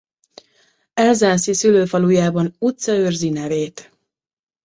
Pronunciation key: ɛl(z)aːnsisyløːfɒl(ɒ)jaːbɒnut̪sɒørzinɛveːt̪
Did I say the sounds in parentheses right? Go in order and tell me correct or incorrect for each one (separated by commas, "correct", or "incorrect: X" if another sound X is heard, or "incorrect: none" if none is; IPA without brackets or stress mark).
correct, incorrect: u